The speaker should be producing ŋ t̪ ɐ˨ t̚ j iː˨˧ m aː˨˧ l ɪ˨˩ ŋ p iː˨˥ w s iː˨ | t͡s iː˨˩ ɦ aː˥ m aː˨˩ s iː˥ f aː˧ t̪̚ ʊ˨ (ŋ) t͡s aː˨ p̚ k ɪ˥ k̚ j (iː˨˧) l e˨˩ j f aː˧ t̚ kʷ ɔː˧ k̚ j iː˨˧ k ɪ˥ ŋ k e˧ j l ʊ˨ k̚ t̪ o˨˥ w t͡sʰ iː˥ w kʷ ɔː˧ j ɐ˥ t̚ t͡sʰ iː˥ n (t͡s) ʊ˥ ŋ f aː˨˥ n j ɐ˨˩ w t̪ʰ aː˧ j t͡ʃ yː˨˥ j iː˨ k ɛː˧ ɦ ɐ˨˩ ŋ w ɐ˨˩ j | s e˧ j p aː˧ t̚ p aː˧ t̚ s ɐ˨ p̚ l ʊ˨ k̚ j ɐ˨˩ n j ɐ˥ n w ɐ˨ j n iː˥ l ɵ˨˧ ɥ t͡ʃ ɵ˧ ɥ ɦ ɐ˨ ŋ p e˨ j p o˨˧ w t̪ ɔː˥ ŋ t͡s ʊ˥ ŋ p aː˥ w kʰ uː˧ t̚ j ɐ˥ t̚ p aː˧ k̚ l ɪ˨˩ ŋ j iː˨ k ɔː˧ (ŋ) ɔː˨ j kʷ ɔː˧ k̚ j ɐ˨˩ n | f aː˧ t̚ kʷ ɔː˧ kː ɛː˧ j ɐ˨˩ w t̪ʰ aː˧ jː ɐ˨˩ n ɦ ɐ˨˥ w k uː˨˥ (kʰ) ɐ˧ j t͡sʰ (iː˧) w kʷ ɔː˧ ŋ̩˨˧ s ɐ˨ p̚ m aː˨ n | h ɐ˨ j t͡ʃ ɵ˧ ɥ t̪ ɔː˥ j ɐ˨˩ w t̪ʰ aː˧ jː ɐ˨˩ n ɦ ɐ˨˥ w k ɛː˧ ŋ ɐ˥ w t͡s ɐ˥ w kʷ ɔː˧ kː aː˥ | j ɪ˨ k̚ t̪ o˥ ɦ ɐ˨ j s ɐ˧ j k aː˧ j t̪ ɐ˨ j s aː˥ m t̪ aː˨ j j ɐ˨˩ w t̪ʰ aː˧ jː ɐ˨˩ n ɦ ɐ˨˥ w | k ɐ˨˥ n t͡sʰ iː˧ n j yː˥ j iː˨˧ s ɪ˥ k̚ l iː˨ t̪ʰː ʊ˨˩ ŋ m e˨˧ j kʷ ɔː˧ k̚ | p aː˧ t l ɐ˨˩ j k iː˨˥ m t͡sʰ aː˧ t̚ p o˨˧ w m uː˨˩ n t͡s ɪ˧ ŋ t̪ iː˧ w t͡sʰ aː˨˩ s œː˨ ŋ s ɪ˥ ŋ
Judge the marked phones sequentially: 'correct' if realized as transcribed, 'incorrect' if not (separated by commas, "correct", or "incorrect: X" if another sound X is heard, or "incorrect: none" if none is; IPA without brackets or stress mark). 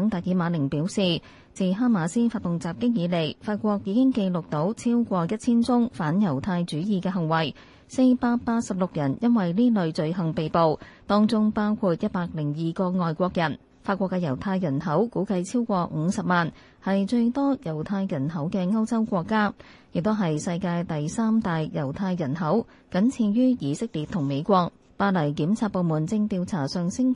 correct, correct, correct, correct, incorrect: k, incorrect: iː˥